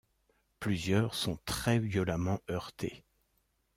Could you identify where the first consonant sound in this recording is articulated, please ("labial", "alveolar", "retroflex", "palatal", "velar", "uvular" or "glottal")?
labial